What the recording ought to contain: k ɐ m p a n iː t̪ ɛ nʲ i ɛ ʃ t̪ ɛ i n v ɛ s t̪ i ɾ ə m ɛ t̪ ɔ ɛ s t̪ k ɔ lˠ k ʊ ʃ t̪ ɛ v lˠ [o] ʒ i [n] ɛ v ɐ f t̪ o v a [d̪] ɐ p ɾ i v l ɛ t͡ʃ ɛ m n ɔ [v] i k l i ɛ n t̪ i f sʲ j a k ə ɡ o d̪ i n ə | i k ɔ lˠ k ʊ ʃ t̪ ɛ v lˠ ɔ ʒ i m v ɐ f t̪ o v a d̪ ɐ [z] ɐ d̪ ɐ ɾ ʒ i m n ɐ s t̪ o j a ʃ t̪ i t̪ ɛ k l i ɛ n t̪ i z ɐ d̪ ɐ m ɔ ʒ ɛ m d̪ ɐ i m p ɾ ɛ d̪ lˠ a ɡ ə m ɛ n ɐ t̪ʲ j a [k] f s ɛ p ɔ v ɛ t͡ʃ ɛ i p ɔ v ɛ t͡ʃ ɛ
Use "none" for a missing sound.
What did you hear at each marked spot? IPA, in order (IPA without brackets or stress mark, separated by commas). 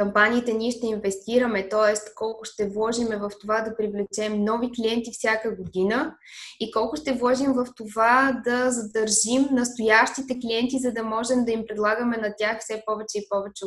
ɔ, m, d̪, v, z, x